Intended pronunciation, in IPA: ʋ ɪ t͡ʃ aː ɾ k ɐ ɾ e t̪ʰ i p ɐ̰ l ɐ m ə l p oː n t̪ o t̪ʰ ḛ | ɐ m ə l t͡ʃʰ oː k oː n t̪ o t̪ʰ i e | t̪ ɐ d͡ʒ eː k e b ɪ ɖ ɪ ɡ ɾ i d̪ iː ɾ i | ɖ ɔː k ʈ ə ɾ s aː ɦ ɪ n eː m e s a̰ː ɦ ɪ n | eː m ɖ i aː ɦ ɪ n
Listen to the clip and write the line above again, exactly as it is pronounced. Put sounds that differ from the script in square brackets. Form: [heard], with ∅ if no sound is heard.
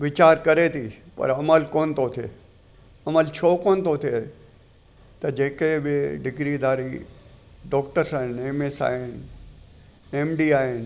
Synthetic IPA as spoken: ʋ ɪ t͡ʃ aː ɾ k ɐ ɾ e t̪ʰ i p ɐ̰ [ɾ] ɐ m ə l [k] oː n t̪ o t̪ʰ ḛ | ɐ m ə l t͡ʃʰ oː k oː n t̪ o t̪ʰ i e | t̪ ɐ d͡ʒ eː k e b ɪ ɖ ɪ ɡ ɾ i d̪ [aː] ɾ i | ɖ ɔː k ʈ ə ɾ s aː ɦ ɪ n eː m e s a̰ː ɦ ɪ n | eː m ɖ i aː ɦ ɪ n